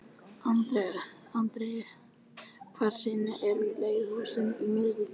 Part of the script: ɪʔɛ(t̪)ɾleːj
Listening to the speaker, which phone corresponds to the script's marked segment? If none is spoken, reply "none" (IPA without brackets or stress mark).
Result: none